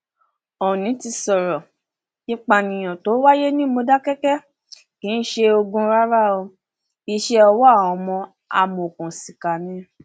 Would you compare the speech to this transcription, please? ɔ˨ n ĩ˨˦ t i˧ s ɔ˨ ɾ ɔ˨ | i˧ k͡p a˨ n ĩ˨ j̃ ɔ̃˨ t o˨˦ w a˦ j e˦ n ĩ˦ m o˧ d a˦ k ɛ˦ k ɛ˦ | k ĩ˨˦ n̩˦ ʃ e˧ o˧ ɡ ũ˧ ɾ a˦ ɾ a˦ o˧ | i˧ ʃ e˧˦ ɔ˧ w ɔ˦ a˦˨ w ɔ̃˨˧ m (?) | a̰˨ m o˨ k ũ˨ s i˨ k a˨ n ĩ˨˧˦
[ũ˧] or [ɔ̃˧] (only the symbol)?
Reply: ɔ̃˧